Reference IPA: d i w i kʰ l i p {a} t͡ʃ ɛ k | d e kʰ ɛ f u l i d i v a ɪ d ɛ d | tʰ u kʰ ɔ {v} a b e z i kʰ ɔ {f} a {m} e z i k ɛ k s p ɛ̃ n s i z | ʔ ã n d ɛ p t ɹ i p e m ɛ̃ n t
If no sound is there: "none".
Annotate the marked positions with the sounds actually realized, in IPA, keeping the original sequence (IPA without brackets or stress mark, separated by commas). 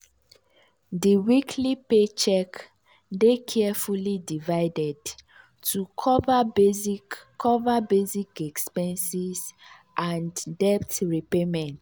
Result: e, v, v, b